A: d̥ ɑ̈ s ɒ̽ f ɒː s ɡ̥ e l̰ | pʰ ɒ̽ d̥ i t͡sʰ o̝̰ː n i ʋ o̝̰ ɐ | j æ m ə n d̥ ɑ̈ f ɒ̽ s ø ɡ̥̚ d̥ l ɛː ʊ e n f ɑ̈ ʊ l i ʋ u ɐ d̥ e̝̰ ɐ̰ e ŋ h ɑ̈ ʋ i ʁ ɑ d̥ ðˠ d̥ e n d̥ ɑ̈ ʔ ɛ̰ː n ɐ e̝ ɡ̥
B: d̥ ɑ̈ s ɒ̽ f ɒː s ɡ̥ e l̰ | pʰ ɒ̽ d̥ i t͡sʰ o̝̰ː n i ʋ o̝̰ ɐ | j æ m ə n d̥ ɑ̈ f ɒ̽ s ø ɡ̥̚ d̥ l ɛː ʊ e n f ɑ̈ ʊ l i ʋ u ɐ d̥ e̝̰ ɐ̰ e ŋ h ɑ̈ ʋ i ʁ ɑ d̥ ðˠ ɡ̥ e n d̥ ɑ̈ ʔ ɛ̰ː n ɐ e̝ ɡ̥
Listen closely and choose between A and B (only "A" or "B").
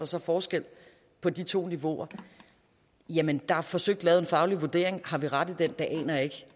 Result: A